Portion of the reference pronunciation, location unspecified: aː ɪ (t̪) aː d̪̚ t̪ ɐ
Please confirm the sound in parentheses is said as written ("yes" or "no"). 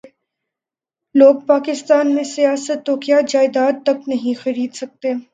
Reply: no